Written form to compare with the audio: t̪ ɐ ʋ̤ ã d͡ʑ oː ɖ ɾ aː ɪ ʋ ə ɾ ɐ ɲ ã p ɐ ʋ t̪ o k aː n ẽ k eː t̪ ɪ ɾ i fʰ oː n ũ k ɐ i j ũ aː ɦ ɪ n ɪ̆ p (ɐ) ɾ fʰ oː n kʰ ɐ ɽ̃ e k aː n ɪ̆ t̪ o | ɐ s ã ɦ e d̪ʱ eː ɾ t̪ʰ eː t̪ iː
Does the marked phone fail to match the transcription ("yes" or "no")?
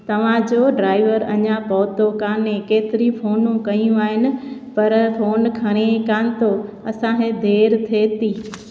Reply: no